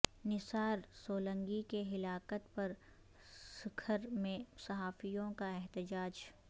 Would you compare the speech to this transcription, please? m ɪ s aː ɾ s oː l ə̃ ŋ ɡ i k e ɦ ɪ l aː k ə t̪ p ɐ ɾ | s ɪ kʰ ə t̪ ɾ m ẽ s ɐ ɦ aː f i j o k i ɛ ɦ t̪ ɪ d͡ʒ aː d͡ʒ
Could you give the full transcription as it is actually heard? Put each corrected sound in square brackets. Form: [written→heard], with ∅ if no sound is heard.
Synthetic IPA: [m→n] ɪ s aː ɾ s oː l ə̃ ŋ ɡ i k e ɦ ɪ l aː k ə t̪ p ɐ ɾ | s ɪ kʰ ə [t̪→∅] ɾ m ẽ s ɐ ɦ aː f i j [o→õ] k [i→a] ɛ ɦ t̪ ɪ d͡ʒ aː d͡ʒ